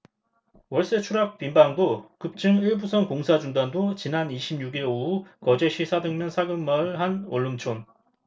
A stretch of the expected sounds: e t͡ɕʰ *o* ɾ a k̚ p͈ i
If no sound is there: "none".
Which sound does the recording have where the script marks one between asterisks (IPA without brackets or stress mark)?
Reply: u